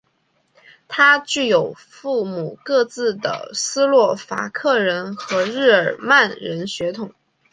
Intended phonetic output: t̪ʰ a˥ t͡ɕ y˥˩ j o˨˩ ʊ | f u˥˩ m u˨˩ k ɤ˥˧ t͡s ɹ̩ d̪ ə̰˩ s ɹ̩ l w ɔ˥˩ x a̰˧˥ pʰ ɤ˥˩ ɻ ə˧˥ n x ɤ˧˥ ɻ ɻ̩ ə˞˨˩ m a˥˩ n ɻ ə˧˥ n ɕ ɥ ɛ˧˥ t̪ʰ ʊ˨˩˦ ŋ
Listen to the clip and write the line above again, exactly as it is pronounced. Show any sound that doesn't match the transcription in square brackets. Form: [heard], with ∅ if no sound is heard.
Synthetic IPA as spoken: t̪ʰ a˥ t͡ɕ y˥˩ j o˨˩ ʊ | f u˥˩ m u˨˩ k ɤ˥˧ t͡s ɹ̩ d̪ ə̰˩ s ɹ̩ l w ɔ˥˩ [f] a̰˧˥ [kʰ] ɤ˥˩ ɻ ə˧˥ n x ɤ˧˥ ɻ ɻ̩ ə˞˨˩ m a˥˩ n ɻ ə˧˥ n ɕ ɥ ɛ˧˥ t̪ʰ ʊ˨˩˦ ŋ